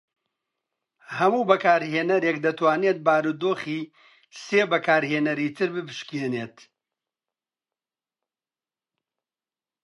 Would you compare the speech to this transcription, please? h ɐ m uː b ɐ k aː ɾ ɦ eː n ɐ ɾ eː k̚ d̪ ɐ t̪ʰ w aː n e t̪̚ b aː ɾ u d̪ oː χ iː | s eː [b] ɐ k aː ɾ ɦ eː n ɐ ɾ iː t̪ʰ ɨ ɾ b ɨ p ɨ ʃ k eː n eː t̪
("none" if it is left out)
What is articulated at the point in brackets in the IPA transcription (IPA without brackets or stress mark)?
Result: b